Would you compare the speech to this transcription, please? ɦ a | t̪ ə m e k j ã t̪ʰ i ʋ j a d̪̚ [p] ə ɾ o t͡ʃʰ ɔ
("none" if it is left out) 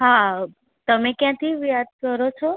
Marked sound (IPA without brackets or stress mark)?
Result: k